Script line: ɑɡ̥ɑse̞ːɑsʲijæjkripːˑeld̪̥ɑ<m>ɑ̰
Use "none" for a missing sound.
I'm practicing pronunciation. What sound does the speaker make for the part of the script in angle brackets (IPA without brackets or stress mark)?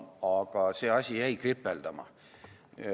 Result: m